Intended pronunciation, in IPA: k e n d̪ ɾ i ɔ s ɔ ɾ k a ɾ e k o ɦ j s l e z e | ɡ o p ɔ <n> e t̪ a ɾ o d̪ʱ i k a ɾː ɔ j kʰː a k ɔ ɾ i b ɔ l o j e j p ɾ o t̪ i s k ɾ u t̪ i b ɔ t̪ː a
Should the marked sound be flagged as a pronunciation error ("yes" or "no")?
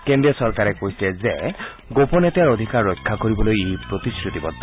no